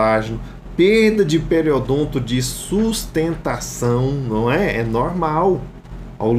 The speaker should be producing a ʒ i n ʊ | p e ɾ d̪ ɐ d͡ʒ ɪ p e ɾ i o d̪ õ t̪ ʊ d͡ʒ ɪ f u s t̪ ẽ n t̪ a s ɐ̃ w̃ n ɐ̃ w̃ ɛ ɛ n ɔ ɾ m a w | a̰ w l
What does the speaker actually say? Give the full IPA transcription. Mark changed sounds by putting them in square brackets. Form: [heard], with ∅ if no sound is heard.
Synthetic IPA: a ʒ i n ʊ | p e ɾ d̪ ɐ d͡ʒ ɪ p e ɾ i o d̪ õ t̪ ʊ d͡ʒ ɪ [s] u s t̪ ẽ n t̪ a s ɐ̃ w̃ n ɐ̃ w̃ ɛ ɛ n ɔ ɾ m a w | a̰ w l